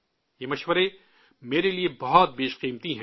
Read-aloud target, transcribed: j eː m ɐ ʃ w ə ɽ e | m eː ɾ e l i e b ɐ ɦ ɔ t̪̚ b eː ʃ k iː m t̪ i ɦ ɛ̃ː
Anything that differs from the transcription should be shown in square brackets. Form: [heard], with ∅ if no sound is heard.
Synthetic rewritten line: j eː m ɐ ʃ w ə [ɾ] e | m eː ɾ e l i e b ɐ ɦ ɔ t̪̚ b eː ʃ [q] iː m t̪ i ɦ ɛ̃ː